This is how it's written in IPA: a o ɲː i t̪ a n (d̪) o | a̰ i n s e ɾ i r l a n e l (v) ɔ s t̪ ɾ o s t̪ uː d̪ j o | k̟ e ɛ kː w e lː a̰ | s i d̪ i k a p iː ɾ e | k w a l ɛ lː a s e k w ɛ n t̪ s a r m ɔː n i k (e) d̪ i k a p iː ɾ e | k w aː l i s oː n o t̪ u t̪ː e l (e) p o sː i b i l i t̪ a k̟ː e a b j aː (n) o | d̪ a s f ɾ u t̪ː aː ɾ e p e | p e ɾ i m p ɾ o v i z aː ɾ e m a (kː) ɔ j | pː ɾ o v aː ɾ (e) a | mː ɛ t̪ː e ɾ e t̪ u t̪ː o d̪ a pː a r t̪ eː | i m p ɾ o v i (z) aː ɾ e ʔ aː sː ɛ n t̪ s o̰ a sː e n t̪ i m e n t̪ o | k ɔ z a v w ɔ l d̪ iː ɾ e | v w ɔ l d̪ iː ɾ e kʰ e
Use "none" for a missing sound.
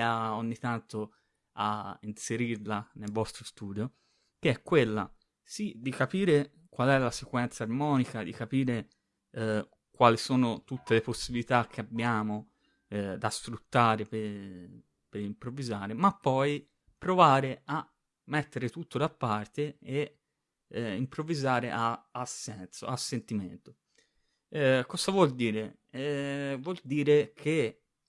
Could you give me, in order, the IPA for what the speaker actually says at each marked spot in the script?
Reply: t̪, v, a, e, m, pː, e, z

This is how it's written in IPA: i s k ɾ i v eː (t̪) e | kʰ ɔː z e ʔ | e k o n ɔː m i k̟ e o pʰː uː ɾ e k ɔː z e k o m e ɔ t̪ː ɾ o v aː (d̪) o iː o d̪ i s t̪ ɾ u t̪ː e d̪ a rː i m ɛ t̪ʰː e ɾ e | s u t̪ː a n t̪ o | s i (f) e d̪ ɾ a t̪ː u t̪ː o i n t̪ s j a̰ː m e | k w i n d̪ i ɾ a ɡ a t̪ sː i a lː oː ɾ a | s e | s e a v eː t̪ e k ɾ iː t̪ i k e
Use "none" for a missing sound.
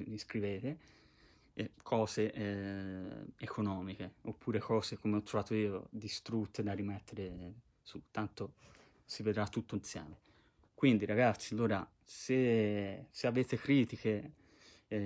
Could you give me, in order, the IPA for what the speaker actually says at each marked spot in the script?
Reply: t̪, t̪, v

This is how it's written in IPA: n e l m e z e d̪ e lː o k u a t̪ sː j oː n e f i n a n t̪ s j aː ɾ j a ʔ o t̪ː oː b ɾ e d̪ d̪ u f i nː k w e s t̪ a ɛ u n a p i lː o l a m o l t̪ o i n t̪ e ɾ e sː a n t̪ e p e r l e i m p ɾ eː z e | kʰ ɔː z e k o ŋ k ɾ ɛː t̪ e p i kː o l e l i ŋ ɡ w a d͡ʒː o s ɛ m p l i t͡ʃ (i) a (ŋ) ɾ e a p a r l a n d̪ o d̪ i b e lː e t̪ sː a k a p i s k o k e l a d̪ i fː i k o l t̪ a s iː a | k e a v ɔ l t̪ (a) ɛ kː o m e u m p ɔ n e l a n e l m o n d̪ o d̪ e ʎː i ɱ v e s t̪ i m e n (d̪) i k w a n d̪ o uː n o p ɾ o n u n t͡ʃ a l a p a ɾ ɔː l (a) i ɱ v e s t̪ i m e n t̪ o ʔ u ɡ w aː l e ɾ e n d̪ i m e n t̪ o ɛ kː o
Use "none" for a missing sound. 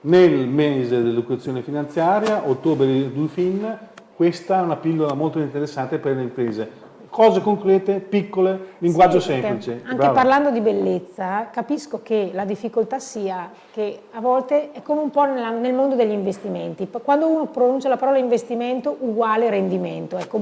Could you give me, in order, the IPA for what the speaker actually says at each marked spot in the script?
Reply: e, ŋ, e, t̪, a

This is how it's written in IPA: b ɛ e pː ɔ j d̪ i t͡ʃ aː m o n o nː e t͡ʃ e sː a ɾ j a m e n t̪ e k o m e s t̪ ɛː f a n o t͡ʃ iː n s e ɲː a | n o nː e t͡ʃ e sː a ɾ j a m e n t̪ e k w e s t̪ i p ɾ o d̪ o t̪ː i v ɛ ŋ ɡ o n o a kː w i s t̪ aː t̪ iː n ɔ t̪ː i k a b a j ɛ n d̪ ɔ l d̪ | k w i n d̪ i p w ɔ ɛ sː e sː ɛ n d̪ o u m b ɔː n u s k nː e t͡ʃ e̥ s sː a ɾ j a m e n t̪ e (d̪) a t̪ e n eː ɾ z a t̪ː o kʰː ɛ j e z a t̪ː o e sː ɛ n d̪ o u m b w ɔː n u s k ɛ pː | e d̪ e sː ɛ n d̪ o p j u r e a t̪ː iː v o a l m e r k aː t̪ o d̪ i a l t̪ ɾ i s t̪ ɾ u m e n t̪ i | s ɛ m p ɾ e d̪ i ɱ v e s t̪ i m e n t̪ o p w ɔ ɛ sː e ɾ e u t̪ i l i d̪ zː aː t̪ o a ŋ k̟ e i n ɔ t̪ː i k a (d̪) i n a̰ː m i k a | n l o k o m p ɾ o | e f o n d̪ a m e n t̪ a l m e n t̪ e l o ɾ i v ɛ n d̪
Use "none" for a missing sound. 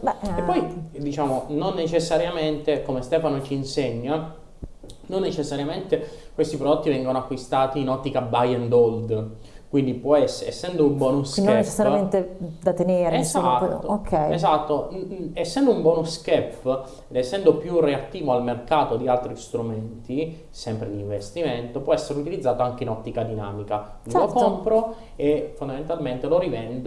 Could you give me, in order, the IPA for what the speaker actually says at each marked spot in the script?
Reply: d̪, d̪

